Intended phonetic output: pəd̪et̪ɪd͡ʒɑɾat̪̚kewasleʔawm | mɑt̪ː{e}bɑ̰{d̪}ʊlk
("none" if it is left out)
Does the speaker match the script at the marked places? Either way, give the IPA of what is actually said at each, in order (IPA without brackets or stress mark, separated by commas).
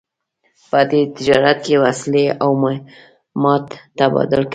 a, d̪